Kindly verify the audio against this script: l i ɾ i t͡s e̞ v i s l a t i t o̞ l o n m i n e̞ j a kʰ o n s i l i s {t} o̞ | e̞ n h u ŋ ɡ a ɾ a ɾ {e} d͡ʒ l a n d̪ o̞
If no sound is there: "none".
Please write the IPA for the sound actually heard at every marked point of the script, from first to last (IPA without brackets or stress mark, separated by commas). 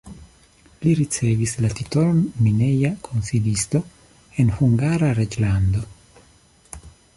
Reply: t, e